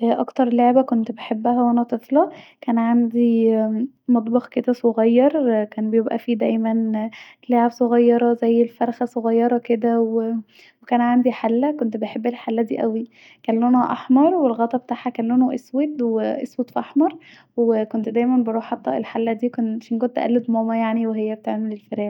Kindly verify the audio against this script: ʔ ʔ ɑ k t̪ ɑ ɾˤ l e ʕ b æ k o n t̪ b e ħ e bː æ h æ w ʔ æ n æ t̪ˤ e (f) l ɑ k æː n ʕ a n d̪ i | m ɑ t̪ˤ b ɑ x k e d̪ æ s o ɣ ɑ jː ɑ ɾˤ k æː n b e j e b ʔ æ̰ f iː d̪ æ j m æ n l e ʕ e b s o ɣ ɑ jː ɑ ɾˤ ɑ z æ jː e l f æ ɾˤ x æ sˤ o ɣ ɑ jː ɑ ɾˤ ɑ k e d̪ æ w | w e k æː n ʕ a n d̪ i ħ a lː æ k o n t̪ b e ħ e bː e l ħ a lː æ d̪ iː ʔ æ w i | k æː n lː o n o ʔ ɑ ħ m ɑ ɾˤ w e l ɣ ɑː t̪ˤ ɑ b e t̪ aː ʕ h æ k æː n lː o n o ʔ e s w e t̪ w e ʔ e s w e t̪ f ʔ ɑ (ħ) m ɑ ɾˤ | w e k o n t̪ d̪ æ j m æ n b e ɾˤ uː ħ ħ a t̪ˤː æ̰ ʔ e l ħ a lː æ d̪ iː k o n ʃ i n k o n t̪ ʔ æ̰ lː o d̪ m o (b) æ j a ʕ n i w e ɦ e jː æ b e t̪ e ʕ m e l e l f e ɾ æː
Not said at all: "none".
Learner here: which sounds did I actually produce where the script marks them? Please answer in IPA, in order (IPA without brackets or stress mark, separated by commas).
f, ħ, m